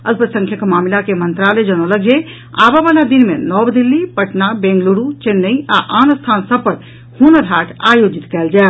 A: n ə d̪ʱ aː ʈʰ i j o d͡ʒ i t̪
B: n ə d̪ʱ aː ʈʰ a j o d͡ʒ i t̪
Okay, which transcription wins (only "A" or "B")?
B